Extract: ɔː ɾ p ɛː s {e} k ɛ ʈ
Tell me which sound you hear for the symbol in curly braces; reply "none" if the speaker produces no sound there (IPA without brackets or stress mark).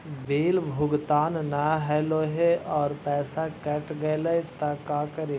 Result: a